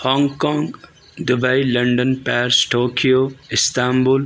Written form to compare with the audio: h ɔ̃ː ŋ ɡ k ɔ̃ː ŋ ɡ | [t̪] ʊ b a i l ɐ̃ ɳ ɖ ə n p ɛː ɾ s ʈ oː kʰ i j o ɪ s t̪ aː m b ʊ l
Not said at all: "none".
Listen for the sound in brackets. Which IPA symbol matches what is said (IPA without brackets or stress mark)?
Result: d̪